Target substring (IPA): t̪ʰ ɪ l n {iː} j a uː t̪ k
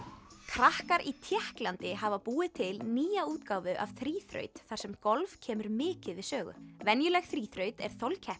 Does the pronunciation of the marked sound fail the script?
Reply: no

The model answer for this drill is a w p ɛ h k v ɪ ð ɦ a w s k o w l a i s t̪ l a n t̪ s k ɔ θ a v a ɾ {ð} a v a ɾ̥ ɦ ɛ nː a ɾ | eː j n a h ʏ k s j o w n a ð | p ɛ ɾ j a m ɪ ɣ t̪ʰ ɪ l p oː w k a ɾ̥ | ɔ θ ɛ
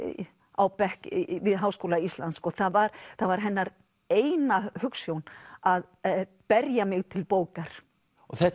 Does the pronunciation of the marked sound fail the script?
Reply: yes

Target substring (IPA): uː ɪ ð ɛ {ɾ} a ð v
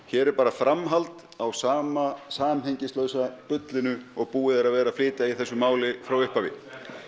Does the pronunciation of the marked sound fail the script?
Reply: no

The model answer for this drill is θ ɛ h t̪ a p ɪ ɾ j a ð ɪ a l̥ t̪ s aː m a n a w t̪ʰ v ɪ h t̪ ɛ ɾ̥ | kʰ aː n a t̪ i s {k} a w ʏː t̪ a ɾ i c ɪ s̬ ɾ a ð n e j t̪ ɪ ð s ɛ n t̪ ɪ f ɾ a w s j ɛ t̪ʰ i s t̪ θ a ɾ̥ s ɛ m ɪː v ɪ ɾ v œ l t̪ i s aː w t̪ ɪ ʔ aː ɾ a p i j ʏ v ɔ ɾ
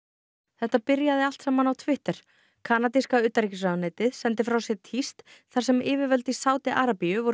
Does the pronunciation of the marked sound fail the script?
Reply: no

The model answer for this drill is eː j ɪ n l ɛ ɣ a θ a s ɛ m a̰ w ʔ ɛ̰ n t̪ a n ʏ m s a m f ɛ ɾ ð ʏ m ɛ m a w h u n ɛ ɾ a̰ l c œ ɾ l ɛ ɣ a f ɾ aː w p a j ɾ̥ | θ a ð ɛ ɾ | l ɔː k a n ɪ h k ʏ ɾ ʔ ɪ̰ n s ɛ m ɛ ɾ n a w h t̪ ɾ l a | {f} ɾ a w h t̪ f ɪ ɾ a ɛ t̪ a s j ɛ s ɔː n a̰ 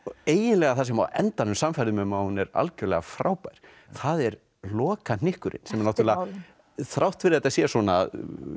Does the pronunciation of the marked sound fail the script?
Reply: yes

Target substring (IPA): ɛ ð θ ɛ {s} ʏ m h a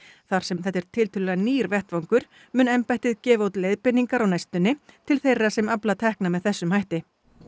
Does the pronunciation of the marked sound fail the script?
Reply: yes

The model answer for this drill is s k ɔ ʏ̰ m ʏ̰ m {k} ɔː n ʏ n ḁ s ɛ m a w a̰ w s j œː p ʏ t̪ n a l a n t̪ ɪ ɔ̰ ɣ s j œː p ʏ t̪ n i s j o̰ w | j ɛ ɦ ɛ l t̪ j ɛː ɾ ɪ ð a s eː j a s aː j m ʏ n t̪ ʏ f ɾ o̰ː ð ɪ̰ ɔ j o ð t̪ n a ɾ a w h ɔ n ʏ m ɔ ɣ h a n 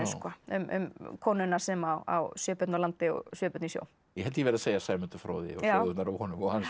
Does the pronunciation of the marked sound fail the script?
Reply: yes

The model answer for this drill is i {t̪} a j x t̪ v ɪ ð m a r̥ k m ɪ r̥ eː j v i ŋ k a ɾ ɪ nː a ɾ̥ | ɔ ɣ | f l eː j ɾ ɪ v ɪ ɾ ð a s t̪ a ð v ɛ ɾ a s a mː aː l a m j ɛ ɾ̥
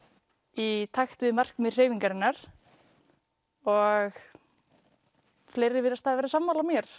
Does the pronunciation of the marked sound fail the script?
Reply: yes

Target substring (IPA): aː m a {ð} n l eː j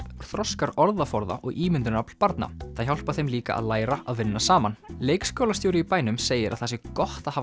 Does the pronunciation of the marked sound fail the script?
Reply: yes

